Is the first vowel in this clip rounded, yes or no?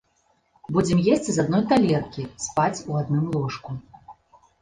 yes